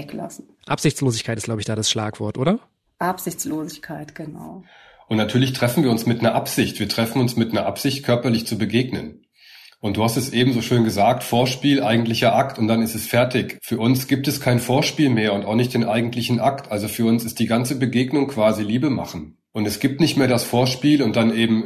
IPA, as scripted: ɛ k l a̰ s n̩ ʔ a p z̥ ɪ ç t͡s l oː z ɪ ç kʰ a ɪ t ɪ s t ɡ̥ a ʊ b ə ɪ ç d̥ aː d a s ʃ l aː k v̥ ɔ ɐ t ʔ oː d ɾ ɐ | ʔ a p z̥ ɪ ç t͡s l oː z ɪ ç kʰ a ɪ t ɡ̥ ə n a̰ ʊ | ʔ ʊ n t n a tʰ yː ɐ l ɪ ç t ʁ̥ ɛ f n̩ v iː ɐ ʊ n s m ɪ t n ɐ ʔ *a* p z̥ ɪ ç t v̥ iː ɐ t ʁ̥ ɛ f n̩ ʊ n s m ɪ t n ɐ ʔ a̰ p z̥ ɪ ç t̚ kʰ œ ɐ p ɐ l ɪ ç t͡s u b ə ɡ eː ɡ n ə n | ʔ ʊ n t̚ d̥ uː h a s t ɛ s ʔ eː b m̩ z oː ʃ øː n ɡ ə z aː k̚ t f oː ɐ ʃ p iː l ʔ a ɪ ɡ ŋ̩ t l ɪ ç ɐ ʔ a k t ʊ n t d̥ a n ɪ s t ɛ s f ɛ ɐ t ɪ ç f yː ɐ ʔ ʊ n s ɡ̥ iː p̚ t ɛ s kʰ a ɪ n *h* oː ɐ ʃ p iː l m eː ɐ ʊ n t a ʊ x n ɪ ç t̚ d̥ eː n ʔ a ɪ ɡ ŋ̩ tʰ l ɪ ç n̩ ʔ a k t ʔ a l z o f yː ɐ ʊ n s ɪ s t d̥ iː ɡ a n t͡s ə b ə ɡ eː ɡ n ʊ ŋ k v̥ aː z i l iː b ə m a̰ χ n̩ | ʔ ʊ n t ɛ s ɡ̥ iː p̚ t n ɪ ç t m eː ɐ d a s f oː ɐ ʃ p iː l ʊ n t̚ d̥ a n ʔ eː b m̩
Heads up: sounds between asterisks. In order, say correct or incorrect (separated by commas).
correct, incorrect